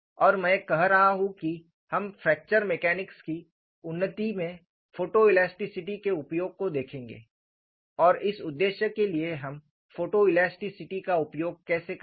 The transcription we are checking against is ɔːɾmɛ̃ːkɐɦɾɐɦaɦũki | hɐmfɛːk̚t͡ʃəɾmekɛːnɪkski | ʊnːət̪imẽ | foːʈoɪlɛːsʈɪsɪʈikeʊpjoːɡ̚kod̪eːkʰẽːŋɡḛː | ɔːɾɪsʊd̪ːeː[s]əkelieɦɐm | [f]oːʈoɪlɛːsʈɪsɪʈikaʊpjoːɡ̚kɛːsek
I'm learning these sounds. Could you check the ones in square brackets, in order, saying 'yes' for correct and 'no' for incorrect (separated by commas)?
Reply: no, yes